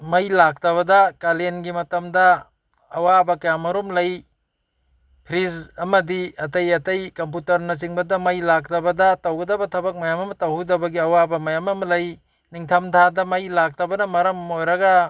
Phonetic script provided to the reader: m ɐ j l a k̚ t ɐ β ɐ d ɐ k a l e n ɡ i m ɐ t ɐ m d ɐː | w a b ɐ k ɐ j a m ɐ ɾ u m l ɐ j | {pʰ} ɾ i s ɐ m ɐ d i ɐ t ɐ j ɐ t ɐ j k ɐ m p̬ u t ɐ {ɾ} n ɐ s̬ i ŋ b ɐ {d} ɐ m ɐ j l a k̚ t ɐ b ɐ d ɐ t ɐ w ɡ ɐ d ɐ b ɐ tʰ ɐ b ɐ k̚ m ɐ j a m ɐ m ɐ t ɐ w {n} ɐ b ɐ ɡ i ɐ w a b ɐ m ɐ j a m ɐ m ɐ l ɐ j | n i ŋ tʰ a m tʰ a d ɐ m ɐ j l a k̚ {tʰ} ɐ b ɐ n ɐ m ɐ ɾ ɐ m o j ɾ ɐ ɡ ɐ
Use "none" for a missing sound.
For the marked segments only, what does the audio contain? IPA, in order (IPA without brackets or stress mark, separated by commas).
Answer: pʰ, ɾ, d, d, t